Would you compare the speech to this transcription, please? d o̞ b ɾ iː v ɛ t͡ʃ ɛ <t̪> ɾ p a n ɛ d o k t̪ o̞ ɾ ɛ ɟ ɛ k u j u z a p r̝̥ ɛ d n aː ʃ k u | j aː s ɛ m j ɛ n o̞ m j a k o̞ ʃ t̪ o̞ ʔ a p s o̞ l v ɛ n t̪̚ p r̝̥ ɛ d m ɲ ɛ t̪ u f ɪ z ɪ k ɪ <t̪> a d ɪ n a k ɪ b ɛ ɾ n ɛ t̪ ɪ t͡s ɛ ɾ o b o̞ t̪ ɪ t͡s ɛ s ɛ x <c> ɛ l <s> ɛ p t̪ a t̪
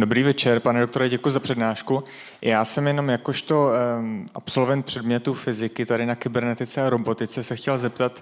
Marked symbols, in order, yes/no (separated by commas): no, yes, yes, no